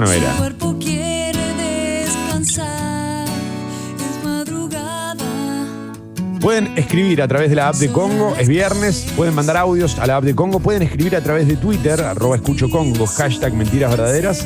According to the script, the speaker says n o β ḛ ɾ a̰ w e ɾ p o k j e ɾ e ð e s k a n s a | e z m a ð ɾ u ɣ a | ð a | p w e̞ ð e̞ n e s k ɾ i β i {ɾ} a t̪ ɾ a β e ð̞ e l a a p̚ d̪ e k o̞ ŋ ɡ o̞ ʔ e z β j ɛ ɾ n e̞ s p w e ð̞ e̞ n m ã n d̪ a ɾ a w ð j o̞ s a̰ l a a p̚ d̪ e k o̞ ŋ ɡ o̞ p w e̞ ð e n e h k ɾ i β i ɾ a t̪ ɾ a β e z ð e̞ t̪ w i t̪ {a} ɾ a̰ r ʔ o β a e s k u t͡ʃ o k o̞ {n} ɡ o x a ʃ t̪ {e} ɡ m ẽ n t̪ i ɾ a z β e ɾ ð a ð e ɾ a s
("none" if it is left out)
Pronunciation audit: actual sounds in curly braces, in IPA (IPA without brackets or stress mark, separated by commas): ɾ, e, ŋ, a